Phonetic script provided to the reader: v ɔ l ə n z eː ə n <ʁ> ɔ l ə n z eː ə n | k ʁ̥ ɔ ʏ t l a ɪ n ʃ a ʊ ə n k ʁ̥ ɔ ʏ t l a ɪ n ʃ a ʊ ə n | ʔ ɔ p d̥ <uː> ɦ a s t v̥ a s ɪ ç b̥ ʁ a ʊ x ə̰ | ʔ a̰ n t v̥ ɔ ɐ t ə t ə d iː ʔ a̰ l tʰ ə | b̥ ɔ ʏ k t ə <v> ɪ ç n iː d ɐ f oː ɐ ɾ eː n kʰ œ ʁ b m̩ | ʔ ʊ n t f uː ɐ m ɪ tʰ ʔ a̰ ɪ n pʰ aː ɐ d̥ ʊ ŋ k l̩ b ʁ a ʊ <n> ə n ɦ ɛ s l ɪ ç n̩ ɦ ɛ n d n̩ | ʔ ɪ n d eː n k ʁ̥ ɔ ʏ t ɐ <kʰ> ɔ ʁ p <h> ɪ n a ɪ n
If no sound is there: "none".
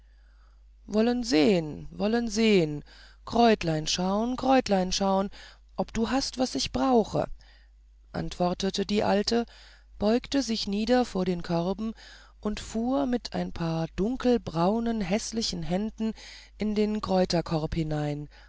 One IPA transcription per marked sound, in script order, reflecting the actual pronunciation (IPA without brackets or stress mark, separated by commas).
v, uː, z, n, kʰ, h